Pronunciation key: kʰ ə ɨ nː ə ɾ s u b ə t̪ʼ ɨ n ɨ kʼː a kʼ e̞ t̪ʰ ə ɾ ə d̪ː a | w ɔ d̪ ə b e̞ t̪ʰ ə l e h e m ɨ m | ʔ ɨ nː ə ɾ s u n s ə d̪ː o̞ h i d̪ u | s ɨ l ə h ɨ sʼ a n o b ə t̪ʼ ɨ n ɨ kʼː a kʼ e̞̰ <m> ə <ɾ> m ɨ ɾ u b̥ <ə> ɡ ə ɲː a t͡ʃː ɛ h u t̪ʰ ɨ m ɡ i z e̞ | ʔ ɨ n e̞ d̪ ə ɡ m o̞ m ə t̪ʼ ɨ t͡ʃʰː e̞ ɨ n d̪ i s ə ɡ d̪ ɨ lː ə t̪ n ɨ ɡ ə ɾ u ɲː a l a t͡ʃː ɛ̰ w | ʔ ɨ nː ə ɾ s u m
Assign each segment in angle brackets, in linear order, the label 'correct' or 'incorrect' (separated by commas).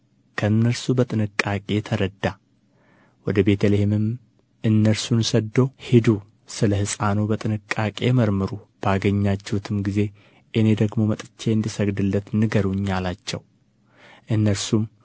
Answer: correct, correct, incorrect